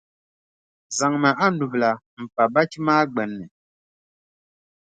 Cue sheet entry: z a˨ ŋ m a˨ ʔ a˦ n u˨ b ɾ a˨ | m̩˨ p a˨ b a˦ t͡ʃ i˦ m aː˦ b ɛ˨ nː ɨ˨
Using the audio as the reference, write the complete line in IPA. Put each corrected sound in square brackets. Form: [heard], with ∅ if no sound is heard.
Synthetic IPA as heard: z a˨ ŋ m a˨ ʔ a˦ n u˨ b [l] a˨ | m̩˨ p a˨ b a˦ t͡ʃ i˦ m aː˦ [ɡ͡b] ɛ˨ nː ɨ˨